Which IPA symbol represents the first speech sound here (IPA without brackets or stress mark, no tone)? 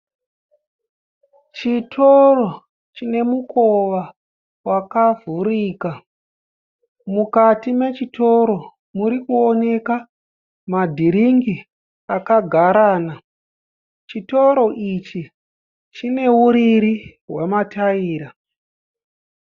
t͡ʃ